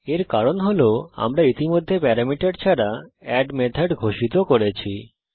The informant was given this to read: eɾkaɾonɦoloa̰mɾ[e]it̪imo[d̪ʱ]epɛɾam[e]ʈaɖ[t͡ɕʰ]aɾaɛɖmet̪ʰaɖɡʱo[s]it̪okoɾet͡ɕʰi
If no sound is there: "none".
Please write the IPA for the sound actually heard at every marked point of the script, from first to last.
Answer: a, d̪ʱː, i, t͡ɕʰ, ʃ

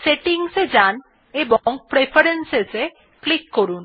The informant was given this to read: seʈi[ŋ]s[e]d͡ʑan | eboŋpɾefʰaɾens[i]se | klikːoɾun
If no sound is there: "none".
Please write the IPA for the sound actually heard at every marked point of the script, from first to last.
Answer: ŋ, e, e

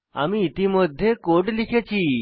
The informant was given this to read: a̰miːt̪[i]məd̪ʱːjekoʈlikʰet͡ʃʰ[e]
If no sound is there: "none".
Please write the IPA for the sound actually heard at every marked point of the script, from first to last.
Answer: i, i

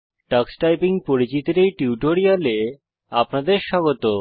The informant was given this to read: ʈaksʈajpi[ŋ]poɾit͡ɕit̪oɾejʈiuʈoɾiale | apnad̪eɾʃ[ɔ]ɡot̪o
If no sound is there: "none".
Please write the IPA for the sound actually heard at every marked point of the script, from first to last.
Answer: ŋ, ɔ

